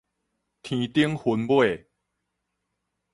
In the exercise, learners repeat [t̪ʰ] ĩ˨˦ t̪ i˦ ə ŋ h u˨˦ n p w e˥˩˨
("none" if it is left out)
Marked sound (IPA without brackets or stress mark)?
t̪ʰ